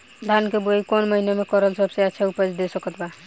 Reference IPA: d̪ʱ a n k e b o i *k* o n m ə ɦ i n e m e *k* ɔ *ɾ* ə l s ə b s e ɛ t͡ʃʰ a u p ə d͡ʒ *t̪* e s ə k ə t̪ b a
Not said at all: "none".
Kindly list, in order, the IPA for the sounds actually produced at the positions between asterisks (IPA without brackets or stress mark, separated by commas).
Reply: k, k, ɾ, d̪